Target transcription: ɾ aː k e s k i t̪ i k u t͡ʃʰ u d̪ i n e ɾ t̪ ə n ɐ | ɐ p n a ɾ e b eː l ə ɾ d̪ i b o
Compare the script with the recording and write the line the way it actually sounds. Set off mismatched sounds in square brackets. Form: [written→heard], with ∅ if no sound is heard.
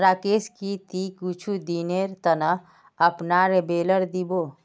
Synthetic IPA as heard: ɾ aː k e s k i t̪ i k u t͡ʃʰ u d̪ i n e ɾ t̪ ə n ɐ | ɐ p n a ɾ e b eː l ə ɾ d̪ i b o